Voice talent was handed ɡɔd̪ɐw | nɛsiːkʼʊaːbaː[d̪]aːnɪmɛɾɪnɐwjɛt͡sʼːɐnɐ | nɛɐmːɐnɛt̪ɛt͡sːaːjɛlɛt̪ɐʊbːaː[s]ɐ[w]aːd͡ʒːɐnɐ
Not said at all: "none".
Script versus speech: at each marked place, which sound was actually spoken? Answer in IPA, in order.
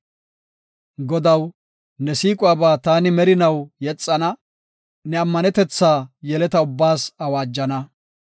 t̪, s, w

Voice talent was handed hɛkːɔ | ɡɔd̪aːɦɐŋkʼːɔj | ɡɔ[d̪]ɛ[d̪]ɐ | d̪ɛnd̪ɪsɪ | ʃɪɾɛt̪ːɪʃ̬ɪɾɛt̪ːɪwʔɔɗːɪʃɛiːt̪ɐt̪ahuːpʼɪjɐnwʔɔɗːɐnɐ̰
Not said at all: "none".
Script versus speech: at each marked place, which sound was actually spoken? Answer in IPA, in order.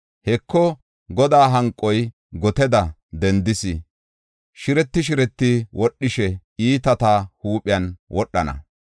t̪, d̪

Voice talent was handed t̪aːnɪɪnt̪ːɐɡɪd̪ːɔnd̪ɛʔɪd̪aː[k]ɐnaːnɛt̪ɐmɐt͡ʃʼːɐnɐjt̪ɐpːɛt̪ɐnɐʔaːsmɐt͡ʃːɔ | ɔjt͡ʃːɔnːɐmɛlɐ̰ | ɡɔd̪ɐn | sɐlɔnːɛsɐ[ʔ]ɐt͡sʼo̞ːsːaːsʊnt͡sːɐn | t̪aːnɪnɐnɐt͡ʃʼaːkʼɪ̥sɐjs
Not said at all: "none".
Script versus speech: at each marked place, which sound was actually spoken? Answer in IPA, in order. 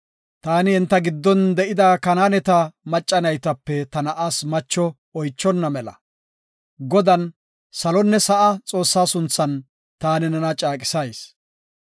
k, ʔ

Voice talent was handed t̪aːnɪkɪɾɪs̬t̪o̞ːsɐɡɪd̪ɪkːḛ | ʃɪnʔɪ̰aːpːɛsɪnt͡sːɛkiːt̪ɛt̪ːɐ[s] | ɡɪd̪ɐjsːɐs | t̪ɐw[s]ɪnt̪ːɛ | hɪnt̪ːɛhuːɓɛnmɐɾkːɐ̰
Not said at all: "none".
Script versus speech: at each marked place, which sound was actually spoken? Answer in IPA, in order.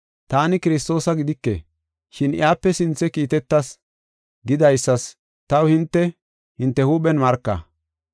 s, h

